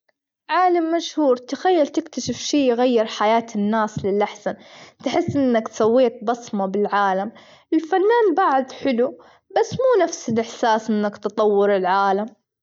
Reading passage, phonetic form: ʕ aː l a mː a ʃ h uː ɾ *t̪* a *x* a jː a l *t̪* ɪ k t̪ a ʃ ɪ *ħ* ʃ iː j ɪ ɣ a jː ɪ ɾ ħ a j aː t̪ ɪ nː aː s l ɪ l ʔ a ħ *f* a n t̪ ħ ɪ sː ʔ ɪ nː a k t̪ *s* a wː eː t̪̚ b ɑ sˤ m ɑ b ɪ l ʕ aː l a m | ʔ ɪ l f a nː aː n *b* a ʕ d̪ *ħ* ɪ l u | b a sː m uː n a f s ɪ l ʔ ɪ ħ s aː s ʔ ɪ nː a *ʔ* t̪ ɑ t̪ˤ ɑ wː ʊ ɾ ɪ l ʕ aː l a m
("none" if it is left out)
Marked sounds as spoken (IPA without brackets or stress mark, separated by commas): t̪, x, t̪, f, s, s, b, ħ, k